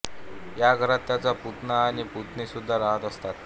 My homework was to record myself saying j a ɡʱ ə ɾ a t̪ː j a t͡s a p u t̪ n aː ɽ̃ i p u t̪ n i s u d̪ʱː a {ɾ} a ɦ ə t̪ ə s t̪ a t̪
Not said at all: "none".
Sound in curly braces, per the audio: ɾ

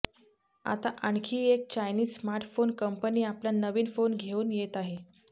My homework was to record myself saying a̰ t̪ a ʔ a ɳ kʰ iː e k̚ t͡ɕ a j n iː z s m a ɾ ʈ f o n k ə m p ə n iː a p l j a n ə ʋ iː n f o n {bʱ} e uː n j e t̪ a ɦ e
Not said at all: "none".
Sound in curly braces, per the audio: ɡʱ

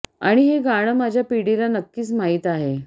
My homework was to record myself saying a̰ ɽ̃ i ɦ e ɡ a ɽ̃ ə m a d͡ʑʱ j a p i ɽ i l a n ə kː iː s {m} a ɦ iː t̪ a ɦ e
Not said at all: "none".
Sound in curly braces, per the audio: m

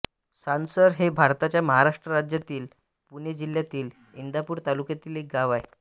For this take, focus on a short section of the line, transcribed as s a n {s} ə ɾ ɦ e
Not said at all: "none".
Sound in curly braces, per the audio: s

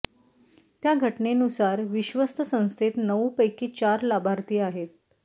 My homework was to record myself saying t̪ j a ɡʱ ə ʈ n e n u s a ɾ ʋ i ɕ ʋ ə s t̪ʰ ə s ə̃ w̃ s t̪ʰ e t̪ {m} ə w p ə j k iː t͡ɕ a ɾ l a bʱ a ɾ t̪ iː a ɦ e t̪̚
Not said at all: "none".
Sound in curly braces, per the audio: n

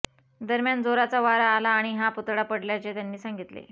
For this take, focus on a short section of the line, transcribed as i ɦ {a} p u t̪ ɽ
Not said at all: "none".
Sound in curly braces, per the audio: a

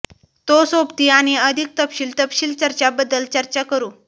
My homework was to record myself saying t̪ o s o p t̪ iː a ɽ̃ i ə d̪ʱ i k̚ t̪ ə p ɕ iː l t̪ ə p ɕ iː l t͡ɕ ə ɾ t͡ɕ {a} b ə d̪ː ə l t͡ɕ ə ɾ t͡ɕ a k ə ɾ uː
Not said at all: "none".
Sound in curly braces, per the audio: a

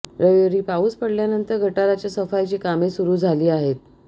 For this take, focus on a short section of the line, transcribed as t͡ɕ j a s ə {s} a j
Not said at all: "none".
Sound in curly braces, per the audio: f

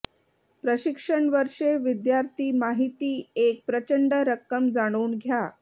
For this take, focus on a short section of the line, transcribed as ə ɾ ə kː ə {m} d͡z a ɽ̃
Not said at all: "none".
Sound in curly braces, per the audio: m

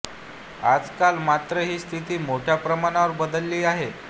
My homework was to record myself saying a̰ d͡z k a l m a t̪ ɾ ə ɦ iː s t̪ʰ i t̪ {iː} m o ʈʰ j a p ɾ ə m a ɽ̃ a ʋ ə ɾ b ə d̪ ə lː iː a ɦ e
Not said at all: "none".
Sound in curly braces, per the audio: iː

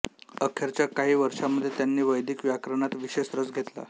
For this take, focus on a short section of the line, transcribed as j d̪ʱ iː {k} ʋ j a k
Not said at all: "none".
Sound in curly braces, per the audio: k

